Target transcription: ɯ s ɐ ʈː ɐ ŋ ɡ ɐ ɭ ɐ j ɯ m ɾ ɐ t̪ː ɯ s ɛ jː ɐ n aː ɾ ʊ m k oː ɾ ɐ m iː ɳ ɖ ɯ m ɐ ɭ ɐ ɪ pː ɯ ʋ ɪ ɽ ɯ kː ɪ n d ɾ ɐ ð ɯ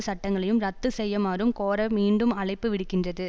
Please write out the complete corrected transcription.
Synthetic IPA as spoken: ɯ s ɐ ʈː ɐ ŋ ɡ ɐ ɭ ɐ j ɯ m ɾ ɐ t̪ː ɯ s ɛ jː ɐ m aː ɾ ɯ m k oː ɾ ɐ m iː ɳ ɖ ɯ m ɐ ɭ ɐ ɪ pː ɯ ʋ ɪ ɽ ɯ kː ɪ n d r ɐ ð ɯ